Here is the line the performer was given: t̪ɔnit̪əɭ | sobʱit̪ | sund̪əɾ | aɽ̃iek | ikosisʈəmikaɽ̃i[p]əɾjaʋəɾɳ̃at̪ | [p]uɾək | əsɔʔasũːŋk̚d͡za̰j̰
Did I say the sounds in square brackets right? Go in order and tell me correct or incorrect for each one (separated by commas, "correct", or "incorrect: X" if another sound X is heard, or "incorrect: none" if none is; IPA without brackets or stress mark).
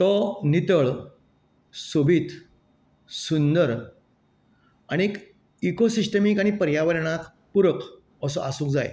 correct, correct